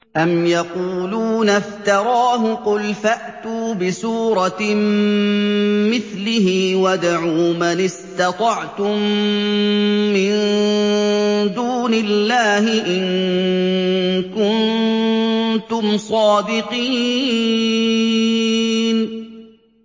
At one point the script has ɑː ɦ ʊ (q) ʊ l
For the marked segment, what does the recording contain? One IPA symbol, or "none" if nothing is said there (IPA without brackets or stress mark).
q